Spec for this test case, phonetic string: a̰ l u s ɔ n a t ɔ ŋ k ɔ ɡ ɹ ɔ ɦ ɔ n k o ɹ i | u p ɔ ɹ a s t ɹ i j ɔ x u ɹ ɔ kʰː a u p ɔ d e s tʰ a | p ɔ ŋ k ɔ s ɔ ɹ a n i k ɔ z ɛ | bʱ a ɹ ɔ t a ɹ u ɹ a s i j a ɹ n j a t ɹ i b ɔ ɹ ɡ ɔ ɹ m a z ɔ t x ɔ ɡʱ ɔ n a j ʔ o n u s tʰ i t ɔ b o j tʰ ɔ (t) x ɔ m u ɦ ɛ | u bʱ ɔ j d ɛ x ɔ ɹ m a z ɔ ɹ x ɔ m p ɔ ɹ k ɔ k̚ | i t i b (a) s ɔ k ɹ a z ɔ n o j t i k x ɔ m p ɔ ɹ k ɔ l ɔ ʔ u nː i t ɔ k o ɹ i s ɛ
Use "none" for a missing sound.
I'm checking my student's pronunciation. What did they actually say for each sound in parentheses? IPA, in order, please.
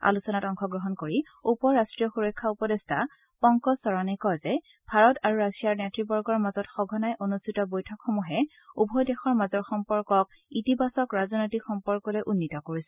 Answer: k, a

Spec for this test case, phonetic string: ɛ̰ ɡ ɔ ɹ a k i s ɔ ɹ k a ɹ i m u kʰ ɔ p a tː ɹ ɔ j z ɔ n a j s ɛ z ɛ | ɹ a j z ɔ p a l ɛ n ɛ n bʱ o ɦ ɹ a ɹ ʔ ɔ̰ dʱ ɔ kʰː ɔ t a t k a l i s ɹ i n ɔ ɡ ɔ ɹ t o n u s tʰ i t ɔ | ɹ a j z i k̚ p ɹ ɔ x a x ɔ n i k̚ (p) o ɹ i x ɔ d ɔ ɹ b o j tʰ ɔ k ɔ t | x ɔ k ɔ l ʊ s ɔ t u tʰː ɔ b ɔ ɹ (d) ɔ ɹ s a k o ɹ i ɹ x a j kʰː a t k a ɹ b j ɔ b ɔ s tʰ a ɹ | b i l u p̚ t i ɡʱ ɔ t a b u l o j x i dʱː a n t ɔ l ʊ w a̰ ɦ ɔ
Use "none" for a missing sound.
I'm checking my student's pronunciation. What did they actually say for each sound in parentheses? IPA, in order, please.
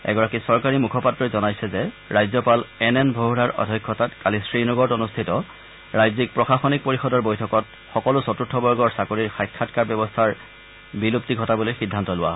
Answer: p, ɡ

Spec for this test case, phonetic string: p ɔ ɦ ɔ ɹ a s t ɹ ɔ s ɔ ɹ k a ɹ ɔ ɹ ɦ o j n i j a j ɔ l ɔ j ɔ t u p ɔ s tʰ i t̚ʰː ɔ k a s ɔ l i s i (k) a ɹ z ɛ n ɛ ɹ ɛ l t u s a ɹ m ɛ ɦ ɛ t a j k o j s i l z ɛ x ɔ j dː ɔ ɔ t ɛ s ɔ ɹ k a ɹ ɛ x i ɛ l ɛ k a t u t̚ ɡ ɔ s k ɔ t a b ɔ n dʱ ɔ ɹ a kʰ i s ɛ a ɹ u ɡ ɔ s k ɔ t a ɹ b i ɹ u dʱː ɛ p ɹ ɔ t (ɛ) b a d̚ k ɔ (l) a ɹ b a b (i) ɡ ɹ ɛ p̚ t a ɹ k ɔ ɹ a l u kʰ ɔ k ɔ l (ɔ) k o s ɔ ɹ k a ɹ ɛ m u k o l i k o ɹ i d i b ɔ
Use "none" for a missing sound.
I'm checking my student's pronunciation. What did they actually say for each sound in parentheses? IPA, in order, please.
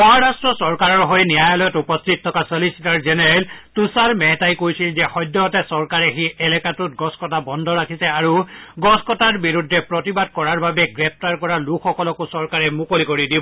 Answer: t, i, ɹ, ɛ, ɔ

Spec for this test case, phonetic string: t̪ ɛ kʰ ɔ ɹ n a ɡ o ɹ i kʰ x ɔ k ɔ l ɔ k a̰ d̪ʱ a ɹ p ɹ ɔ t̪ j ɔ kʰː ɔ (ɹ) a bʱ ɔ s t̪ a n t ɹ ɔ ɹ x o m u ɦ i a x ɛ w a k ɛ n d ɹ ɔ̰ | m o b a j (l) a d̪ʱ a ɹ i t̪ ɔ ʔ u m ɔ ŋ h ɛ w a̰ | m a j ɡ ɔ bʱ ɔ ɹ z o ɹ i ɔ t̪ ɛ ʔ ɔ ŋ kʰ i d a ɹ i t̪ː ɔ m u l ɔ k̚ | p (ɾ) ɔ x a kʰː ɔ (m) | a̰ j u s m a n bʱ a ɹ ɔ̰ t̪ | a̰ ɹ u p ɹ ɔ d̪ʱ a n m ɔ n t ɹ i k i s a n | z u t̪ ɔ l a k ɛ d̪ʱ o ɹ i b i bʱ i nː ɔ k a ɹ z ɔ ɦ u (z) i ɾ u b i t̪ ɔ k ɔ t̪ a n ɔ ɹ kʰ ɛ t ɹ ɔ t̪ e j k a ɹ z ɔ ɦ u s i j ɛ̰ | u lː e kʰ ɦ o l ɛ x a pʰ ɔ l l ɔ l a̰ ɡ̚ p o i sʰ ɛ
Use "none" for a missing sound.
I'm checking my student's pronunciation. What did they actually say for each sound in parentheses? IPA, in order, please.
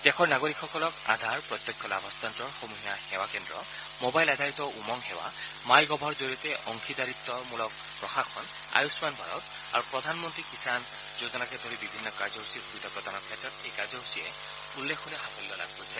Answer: l, l, ɹ, n, s

